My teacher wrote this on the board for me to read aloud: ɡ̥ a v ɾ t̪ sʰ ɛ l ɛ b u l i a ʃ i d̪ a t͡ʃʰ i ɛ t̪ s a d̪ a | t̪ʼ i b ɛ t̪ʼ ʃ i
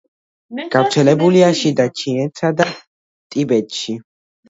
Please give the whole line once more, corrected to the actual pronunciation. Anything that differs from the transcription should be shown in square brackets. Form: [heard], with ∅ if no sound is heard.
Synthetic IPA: ɡ̥ a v ɾ t̪ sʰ ɛ l ɛ b u l i a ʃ i d̪ a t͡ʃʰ i ɛ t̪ s a d̪ a | t̪ʼ i b ɛ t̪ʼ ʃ i